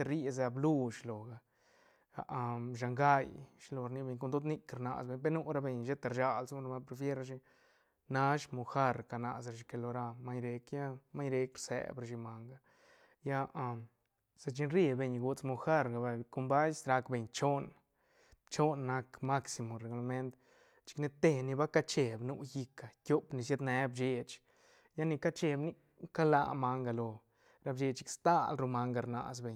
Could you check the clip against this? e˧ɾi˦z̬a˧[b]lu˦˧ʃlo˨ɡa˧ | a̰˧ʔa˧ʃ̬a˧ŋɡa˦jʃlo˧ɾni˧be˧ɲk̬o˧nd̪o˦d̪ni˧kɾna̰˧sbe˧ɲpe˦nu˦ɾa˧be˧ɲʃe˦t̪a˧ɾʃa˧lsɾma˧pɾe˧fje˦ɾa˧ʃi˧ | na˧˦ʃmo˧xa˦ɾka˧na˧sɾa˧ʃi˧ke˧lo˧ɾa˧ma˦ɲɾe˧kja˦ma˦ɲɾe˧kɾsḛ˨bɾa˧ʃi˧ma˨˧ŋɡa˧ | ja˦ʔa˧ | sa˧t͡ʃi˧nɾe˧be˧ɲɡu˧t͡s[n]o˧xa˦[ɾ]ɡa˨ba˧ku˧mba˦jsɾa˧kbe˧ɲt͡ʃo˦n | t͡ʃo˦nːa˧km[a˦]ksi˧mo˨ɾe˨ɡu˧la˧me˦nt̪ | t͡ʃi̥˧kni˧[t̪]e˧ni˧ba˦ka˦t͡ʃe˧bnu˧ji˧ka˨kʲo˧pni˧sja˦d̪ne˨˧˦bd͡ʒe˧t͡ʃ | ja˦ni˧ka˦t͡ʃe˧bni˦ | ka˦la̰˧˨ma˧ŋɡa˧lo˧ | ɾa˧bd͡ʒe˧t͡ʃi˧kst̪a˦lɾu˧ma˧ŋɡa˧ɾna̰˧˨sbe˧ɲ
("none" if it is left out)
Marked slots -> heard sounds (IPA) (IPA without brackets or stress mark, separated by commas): b, m, ɾ, a˦, t̪